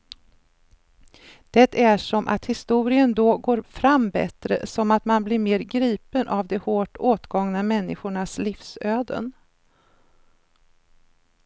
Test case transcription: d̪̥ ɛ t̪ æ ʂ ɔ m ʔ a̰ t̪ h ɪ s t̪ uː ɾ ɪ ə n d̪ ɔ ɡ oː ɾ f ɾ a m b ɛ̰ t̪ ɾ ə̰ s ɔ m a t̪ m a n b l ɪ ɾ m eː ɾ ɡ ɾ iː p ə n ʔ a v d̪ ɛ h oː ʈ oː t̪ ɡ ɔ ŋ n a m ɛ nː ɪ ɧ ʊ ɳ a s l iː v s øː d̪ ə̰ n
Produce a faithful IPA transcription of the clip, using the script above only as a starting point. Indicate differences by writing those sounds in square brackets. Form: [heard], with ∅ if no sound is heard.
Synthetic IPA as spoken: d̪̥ ɛ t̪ æ ʂ ɔ m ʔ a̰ t̪ h ɪ s t̪ uː ɾ ɪ ə n d̪ ɔ ɡ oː ɾ f ɾ a m b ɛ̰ t̪ ɾ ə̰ s ɔ m a t̪ m a n b l ɪ ɾ m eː ɾ ɡ ɾ iː p ə n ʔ a v d̪ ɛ h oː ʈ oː t̪ ɡ ɔ ŋ n a m ɛ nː ɪ ɧ ʊ ɳ a s l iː [f] s øː d̪ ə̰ n

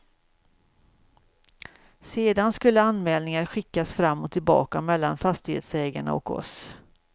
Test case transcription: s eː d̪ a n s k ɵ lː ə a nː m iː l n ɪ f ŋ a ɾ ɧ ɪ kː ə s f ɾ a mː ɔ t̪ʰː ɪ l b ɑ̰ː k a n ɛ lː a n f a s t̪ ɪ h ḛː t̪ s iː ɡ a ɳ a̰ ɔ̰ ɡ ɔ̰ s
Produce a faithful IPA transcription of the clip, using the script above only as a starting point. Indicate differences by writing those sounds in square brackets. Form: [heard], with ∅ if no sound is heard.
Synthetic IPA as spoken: s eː d̪ a n s k ɵ lː ə a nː m [ɛː] l n ɪ [∅] ŋ a ɾ ɧ ɪ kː [a] s f ɾ a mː ɔ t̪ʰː ɪ l b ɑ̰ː k a [m] ɛ lː a n f a s t̪ ɪ h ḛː t̪ s [ɛː] ɡ a ɳ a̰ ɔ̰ [k] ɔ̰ s

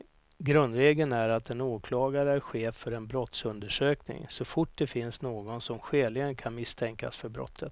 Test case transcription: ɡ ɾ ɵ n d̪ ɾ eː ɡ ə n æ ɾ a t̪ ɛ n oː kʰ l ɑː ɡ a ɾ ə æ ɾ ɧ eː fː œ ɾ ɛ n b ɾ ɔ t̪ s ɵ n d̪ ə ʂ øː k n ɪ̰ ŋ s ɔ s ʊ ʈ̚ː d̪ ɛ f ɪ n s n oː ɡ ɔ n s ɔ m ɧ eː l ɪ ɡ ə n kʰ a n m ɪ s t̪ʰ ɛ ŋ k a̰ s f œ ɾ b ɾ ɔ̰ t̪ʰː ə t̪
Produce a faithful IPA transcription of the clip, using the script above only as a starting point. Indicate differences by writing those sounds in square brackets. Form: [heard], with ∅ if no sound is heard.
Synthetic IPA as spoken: ɡ ɾ ɵ n d̪ ɾ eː ɡ ə n æ ɾ a t̪ ɛ n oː kʰ l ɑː ɡ a ɾ ə æ ɾ ɧ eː fː œ ɾ ɛ n b ɾ ɔ t̪ s ɵ n d̪ ə ʂ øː k n ɪ̰ ŋ s ɔ [f] ʊ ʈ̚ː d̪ ɛ f ɪ n s n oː ɡ ɔ n s ɔ m ɧ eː l ɪ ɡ ə n kʰ a n m ɪ s t̪ʰ ɛ ŋ k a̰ s f œ ɾ b ɾ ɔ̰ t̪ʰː ə t̪

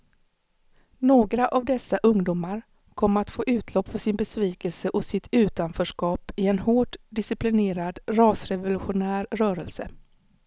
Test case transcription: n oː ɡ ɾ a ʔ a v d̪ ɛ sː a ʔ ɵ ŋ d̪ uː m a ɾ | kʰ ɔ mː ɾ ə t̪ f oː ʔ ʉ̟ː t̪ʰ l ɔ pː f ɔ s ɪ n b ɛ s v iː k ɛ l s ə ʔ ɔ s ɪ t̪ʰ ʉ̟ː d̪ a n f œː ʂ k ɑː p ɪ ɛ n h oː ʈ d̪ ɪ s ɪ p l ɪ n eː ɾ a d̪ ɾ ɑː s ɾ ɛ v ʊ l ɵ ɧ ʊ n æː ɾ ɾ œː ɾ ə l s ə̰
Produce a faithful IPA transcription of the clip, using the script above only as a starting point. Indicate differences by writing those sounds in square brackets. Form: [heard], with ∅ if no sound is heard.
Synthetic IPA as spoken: n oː ɡ ɾ a ʔ a v d̪ ɛ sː a ʔ ɵ ŋ d̪ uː m a ɾ | kʰ ɔ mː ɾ [a] t̪ f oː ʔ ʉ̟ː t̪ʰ l ɔ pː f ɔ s ɪ n b ɛ s v iː k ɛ l s ə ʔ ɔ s ɪ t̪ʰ ʉ̟ː [t̪] a n f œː ʂ k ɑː p ɪ ɛ n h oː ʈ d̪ ɪ s ɪ p l ɪ n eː ɾ a d̪ ɾ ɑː s ɾ ɛ v ʊ l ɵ ɧ ʊ n æː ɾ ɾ œː ɾ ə l s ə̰

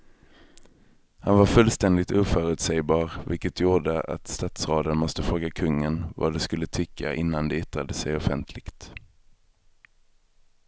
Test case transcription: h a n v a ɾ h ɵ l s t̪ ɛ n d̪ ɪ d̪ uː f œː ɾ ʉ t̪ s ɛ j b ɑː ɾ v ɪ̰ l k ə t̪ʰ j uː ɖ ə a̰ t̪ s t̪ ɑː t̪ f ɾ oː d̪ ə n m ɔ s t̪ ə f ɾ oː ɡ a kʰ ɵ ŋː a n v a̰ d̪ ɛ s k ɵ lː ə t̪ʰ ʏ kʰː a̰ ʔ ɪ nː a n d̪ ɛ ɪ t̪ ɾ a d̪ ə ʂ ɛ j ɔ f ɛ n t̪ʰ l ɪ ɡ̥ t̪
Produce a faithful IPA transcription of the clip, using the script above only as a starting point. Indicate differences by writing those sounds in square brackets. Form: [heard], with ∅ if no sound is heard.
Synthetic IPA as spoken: h a n v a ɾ [f] ɵ l s t̪ ɛ n d̪ ɪ [t̪] uː f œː ɾ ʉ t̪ s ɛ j b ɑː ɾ v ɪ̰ l k ə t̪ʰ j uː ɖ ə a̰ t̪ s t̪ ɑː t̪ [s] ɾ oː d̪ ə n m ɔ s t̪ ə f ɾ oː ɡ a kʰ ɵ ŋː [ə] n v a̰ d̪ ɛ s k ɵ lː ə t̪ʰ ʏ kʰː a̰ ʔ ɪ nː a n d̪ ɛ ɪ t̪ ɾ a d̪ ə [s] ɛ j ɔ f ɛ n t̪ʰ l ɪ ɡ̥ t̪

